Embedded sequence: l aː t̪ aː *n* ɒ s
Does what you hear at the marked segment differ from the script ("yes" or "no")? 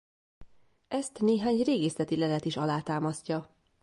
yes